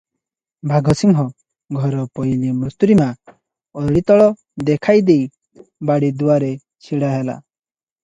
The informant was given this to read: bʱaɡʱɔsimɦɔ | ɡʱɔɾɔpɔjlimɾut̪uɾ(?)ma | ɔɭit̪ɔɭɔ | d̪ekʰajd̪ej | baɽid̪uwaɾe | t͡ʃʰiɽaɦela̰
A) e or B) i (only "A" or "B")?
B